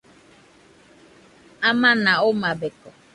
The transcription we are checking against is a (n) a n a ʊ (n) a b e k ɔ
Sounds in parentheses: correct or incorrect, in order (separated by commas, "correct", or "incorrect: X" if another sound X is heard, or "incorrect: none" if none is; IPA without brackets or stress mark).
incorrect: m, incorrect: m